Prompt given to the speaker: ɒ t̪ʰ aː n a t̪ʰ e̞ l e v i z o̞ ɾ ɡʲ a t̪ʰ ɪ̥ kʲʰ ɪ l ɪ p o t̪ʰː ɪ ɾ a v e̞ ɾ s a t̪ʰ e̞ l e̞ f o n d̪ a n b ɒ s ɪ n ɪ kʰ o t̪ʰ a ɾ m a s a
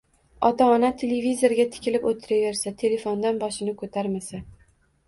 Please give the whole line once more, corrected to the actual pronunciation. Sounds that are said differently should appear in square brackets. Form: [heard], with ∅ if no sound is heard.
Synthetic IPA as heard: ɒ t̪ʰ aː n a t̪ʰ e̞ l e v i z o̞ ɾ ɡʲ a t̪ʰ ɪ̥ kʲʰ ɪ l ɪ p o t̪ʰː ɪ ɾ a v e̞ ɾ s a t̪ʰ e̞ l e̞ f o n d̪ a n b ɒ [ʃ] ɪ n ɪ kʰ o t̪ʰ a ɾ m a s a